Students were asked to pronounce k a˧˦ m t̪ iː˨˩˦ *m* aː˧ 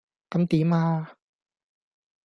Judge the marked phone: correct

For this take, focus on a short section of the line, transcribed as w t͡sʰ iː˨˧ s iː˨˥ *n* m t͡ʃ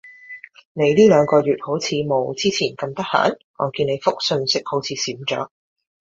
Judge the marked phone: incorrect: none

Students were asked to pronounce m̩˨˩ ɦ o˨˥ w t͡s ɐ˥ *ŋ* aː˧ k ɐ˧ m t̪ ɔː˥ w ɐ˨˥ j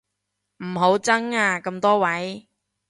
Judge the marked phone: correct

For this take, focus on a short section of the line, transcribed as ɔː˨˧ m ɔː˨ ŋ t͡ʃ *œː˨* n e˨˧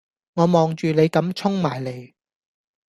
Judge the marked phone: incorrect: yː˨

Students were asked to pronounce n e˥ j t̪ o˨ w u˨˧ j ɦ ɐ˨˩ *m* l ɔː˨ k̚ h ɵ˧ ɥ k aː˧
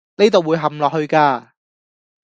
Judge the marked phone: correct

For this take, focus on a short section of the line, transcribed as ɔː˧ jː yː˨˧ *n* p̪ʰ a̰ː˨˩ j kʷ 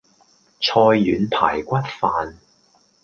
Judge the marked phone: correct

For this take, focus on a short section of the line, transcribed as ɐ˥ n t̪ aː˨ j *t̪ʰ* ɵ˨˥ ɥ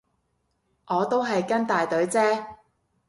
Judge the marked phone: incorrect: t̪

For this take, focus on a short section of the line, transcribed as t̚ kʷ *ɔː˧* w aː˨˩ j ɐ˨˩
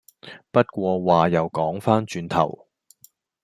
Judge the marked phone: correct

